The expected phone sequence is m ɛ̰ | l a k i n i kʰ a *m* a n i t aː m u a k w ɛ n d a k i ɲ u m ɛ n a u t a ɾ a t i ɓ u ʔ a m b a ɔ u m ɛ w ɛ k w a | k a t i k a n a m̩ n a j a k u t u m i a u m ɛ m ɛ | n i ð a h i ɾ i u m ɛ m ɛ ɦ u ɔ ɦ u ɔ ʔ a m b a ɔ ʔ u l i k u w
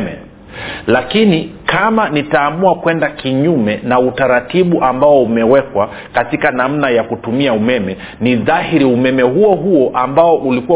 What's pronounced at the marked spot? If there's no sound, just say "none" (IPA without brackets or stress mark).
m